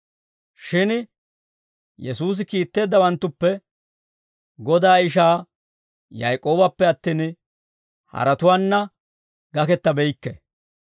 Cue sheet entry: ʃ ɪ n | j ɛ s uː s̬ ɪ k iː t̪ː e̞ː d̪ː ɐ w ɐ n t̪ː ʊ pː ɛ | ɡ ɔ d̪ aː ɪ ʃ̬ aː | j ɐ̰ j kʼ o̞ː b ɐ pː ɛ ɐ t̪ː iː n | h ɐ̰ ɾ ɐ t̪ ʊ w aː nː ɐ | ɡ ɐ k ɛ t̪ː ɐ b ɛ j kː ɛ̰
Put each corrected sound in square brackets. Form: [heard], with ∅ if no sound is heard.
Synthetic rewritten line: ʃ ɪ n | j ɛ s uː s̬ ɪ k iː t̪ː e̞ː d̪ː ɐ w ɐ n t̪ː ʊ pː ɛ | ɡ ɔ d̪ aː ɪ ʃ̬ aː | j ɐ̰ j kʼ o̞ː b ɐ pː ɛ ɐ t̪ː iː n | h ɐ̰ ɾ ɐ t̪ ʊ w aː nː ɐ | ɡ ɐ k ɛ t̪ː ɐ b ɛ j kː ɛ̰